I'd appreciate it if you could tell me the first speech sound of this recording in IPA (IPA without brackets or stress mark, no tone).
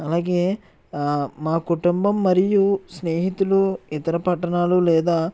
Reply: ɐ